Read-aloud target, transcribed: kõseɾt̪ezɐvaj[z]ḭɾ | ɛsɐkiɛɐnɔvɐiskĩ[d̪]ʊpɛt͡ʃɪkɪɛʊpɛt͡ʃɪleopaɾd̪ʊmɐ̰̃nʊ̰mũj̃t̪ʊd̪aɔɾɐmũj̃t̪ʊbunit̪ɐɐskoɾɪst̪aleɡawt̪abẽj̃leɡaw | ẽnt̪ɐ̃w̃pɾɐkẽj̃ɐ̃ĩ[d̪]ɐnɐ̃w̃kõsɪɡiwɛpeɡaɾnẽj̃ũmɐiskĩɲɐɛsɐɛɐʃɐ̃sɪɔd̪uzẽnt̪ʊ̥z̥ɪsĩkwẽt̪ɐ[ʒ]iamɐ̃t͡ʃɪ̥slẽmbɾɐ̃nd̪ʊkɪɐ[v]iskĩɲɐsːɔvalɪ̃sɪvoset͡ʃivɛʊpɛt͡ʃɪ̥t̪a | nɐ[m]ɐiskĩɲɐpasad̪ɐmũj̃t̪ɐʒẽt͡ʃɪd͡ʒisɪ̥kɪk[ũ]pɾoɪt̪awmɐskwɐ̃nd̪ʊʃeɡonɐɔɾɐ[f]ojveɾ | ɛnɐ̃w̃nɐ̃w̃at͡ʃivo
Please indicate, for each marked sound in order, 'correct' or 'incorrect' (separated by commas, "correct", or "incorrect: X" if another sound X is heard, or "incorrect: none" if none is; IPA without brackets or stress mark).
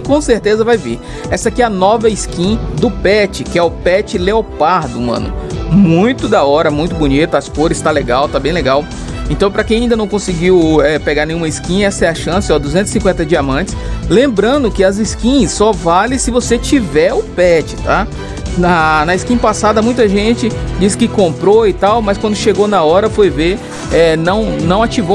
incorrect: v, correct, correct, incorrect: d͡ʒ, incorrect: z, incorrect: n, incorrect: õ, correct